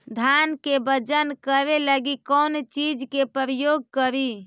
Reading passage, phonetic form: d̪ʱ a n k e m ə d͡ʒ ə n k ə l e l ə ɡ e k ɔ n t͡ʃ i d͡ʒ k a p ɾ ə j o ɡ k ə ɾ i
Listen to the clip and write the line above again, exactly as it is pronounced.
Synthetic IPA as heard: d̪ʱ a n k e b ə d͡ʒ ə n k ə ɾ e l ə ɡ i k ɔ n t͡ʃ i d͡ʒ k e p ɾ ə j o ɡ k ə ɾ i